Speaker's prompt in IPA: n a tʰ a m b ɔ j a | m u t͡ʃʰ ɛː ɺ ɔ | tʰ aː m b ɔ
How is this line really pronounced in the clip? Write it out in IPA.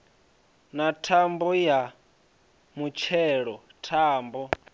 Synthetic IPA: n a tʰ a m b ɔ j a | m u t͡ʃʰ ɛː ɺ ɔ | tʰ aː m b ɔ